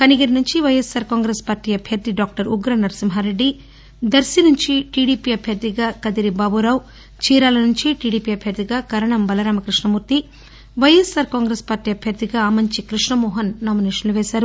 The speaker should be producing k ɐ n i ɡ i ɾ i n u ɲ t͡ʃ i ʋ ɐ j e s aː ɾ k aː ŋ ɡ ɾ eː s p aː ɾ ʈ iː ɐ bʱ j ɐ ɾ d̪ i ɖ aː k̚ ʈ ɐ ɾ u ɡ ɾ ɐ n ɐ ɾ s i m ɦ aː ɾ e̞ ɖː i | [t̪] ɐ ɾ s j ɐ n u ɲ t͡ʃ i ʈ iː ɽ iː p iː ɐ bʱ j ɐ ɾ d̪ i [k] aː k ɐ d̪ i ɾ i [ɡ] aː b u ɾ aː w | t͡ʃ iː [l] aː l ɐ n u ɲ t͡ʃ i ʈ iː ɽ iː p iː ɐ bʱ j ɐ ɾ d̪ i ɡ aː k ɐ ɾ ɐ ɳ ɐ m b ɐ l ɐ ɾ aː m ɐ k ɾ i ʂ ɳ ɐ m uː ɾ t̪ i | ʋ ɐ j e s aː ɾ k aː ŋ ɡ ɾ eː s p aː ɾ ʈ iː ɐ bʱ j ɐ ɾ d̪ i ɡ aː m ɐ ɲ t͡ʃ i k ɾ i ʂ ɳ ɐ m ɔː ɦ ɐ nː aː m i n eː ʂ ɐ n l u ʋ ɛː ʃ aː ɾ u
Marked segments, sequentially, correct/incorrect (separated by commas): incorrect, incorrect, incorrect, incorrect